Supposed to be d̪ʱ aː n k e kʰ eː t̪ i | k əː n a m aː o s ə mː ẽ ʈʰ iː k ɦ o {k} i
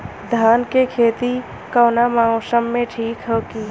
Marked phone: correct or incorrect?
correct